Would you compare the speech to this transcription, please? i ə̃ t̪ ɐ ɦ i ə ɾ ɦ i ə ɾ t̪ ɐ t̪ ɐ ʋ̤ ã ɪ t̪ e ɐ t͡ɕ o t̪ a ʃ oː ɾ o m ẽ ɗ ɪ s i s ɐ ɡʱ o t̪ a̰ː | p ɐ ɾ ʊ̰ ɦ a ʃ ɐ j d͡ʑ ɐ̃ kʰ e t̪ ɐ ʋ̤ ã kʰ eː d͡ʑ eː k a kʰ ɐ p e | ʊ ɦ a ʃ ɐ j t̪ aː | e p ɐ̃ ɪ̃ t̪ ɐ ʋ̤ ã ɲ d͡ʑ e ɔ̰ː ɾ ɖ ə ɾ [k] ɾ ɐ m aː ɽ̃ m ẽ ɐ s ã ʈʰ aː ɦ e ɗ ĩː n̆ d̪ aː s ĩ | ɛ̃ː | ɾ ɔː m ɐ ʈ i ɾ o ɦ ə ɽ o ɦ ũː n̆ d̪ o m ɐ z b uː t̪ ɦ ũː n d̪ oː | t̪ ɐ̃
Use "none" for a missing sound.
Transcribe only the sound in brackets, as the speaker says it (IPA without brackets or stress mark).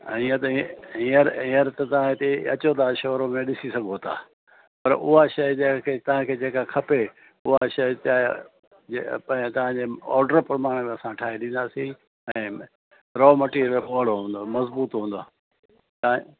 p